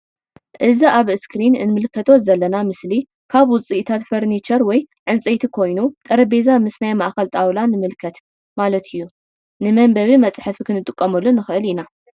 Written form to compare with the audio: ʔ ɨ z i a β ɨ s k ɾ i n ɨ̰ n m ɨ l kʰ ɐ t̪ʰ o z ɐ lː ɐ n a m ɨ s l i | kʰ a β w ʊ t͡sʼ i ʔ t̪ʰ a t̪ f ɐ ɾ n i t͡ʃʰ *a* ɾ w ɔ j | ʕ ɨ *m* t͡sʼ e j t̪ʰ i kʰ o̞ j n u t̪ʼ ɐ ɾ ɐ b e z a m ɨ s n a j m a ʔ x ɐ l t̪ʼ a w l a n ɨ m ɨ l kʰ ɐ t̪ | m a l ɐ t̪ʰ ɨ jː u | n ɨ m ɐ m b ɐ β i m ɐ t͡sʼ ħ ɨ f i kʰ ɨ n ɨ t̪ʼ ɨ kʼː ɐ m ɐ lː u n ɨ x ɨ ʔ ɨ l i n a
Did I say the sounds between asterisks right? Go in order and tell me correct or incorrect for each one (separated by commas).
incorrect, incorrect